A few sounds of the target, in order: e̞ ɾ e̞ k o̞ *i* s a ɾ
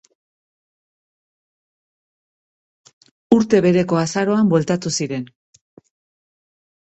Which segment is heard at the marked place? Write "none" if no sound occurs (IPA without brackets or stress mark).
a